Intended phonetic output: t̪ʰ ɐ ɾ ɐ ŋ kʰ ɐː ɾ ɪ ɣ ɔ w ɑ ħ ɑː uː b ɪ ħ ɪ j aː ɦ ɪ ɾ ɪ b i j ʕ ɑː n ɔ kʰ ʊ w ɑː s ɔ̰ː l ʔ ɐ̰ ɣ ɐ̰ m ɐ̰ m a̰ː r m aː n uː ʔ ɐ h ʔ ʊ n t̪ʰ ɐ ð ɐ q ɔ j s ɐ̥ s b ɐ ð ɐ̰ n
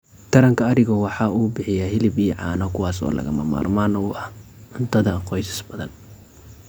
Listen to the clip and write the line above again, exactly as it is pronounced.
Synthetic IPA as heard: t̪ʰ ɐ ɾ ɐ ŋ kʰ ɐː ɾ ɪ ɣ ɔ w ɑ ħ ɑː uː b ɪ ħ ɪ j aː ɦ ɪ l ɪ b i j ʕ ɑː n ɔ kʰ ʊ w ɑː s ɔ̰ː l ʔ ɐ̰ ɣ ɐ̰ m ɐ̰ m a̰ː r m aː n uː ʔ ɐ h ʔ ʊ n t̪ʰ ɐ ð ɐ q ɔ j s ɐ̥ s b ɐ ð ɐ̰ n